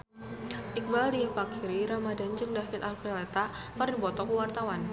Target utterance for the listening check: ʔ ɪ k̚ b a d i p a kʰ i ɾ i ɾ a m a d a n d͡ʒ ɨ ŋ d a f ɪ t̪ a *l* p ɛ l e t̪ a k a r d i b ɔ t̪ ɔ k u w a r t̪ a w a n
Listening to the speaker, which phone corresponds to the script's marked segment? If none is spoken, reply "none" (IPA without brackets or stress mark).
l